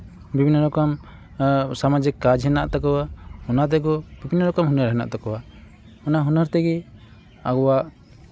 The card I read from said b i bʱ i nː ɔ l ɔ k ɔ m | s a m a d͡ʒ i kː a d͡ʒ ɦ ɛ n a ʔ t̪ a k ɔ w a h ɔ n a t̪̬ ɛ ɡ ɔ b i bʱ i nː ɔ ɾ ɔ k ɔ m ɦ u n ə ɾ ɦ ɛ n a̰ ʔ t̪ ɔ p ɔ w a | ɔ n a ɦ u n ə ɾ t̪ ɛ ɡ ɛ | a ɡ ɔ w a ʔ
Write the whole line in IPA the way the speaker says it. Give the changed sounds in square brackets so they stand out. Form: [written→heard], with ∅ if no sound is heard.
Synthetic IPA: b i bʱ i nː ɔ [l→ɾ] ɔ k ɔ m | s a m a d͡ʒ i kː a d͡ʒ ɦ ɛ n a ʔ t̪ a k ɔ w a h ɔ n a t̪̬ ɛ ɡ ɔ b i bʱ i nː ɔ ɾ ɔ k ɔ m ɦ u n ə ɾ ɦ ɛ n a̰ ʔ t̪ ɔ [p→k] ɔ w a | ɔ n a ɦ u n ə ɾ t̪ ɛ ɡ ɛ | a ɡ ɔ w a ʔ